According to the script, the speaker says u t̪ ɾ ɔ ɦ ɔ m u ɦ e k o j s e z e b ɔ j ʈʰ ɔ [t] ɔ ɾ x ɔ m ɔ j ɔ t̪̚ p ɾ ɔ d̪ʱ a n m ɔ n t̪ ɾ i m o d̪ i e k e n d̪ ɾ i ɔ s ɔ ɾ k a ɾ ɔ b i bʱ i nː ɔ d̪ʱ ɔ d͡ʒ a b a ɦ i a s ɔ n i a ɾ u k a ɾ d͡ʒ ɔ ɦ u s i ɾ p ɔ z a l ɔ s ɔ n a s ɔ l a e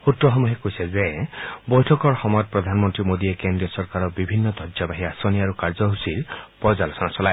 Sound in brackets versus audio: incorrect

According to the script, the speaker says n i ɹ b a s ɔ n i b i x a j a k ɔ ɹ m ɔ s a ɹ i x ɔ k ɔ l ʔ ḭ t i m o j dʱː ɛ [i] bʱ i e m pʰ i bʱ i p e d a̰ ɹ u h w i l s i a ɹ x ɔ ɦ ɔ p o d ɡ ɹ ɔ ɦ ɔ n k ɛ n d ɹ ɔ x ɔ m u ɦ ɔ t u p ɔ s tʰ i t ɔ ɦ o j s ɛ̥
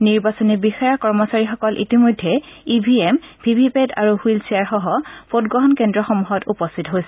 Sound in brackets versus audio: correct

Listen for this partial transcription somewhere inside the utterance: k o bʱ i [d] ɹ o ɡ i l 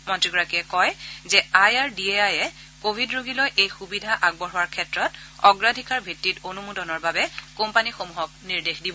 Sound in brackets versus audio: correct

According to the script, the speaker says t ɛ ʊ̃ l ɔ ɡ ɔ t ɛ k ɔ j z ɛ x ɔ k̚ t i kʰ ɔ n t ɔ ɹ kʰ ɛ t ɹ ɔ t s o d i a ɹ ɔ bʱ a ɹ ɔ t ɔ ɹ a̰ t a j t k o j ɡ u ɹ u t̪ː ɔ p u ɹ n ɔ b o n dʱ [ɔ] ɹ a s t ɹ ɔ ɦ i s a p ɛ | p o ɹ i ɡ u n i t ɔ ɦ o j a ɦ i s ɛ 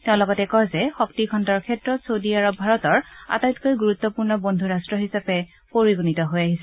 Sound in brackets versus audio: incorrect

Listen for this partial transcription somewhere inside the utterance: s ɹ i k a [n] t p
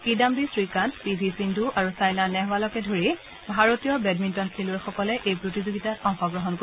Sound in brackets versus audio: correct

